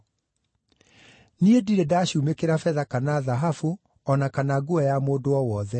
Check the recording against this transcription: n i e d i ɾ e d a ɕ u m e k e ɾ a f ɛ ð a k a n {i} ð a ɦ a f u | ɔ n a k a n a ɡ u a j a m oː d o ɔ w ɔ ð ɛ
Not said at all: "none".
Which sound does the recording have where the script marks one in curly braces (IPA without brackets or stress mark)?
a